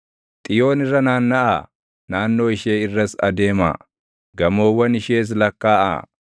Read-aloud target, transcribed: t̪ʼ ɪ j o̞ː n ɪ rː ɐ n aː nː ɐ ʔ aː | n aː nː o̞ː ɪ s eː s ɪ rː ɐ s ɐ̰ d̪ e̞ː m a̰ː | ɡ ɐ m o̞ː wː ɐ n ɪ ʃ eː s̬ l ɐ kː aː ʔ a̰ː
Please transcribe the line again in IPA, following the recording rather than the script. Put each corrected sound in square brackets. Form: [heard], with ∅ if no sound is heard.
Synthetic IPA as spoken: t̪ʼ ɪ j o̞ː n ɪ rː ɐ n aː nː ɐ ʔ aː | n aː nː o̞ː ɪ [ʃ] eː [∅] ɪ rː ɐ s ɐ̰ d̪ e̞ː m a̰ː | ɡ ɐ m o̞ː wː ɐ n ɪ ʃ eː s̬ l ɐ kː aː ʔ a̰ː